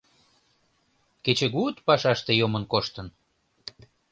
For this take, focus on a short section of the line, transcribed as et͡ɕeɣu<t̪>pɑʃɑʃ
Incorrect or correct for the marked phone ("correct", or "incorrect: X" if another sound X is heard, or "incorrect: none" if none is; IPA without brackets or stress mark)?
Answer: correct